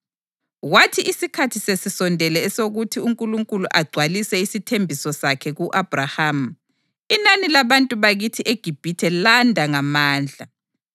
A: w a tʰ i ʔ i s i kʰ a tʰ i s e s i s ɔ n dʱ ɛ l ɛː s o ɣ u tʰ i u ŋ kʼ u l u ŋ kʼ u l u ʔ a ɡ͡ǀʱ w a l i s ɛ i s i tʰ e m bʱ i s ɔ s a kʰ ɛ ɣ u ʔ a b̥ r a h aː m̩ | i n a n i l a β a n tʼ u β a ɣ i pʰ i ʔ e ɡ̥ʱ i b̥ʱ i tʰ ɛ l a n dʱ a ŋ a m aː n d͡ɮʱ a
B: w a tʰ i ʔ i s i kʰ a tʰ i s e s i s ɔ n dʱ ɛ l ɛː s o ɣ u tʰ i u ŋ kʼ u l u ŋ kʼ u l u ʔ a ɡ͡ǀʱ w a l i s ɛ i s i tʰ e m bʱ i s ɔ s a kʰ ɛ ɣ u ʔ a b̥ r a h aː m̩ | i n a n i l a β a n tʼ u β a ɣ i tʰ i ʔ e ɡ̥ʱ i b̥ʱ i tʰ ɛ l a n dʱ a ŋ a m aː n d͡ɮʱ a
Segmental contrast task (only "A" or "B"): B